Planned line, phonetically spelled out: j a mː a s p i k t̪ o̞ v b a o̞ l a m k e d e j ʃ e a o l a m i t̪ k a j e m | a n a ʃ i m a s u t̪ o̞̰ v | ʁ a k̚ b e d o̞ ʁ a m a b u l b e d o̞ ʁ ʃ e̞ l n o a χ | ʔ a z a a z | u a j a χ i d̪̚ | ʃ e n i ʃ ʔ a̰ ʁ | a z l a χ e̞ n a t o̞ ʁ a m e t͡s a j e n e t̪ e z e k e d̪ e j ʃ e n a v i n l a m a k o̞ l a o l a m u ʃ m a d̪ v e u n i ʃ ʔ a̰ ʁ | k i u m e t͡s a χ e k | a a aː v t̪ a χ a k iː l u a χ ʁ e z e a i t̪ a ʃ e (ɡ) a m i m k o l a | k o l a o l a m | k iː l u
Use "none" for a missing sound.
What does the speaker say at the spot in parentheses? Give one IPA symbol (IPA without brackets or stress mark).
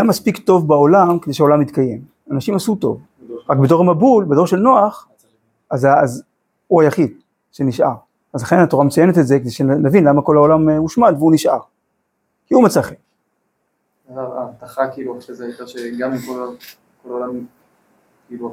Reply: ɡ